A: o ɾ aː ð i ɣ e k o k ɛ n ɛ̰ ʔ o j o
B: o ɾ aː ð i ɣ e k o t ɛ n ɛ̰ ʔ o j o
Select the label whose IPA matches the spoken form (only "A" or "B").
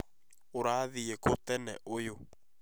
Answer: B